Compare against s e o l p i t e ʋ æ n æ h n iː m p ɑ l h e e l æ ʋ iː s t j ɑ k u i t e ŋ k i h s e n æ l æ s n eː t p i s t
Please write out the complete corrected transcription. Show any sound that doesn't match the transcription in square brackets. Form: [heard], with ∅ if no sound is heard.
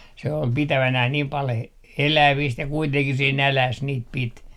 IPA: s e o l p i t [æ] ʋ æ n æ h n iː m p ɑ l h e e l æ ʋ iː s t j ɑ k u i t e ŋ k i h s e n æ l æ s n [iː] t p i [∅] t